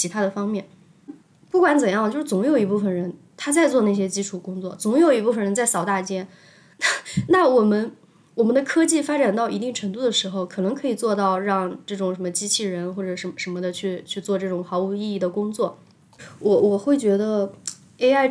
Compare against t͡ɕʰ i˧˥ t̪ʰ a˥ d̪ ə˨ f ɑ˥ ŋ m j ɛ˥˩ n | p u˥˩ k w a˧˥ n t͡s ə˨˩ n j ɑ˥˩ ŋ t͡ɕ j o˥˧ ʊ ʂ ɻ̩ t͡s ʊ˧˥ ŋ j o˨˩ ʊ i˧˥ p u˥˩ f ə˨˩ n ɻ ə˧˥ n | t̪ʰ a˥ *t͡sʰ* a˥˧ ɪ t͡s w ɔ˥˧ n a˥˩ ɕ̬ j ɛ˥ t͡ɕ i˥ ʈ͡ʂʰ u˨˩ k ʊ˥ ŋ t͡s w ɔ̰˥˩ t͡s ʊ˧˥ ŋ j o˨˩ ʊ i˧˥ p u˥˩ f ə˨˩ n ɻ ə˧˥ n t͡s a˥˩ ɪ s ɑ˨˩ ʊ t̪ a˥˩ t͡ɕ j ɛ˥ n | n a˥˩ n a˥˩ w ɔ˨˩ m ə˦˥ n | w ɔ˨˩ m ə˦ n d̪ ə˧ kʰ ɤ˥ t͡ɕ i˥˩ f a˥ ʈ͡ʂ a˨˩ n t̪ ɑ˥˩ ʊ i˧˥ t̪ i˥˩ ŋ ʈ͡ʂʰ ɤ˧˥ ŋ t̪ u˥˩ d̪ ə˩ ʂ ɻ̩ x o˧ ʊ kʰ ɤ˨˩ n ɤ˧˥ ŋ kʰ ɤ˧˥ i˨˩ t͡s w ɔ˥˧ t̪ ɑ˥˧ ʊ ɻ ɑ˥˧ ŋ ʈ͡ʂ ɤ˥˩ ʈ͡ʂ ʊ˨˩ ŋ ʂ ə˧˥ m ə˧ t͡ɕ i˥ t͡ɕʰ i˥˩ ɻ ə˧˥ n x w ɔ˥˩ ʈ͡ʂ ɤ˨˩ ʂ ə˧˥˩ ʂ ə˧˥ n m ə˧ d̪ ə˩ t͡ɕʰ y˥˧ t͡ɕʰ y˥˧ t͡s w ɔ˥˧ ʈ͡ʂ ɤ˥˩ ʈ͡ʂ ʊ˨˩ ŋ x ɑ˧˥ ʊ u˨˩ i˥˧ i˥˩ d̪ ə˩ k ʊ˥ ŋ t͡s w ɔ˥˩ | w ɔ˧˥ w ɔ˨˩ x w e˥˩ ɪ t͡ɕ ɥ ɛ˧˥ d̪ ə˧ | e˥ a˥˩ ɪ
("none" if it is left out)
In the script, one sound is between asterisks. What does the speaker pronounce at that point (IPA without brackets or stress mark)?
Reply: t͡s